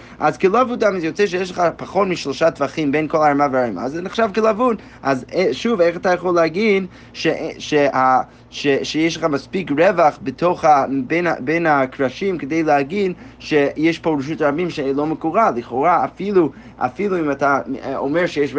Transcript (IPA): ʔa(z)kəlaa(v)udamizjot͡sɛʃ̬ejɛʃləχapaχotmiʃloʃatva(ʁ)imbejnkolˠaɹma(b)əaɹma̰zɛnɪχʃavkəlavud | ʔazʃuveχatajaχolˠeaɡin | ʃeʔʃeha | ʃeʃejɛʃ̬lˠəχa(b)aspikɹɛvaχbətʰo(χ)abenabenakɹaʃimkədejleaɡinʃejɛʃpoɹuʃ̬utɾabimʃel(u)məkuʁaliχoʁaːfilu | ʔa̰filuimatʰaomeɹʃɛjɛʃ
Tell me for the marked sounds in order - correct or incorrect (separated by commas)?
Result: correct, correct, incorrect, incorrect, incorrect, correct, incorrect